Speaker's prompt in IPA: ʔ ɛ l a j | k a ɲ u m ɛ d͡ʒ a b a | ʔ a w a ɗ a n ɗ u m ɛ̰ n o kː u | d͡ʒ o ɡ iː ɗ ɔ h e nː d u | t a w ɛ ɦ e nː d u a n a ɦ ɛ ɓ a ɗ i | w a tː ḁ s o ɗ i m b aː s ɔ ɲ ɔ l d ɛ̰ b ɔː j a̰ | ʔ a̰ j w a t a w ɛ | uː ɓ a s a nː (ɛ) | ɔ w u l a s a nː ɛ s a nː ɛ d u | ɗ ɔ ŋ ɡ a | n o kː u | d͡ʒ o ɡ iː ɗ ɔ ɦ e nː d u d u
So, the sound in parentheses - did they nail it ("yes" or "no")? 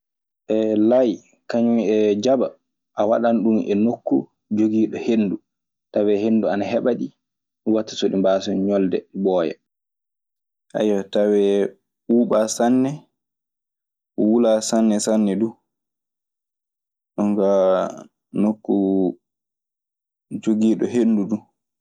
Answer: yes